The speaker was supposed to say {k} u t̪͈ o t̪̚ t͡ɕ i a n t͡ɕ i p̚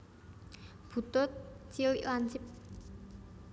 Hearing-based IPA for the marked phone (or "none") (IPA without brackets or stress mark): p